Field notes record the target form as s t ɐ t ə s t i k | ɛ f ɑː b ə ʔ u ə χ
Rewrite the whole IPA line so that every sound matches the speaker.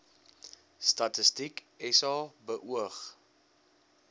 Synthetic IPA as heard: s t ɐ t ə s t i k | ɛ s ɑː b ə ʔ u ə χ